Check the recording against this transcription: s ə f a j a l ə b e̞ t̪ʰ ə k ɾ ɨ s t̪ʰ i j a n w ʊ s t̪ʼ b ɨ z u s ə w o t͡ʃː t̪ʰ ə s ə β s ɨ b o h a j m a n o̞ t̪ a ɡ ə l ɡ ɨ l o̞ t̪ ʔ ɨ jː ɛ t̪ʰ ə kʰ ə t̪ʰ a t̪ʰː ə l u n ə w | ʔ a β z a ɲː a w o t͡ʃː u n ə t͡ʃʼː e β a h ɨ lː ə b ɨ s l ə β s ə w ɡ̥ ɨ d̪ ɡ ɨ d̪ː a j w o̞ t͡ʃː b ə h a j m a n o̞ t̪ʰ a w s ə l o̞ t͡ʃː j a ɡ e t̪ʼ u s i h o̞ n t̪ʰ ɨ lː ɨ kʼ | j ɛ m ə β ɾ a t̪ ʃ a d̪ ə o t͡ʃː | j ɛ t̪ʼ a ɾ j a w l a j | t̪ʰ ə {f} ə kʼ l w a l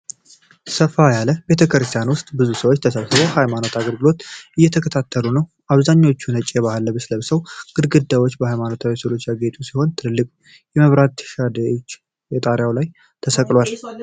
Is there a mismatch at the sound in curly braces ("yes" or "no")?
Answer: yes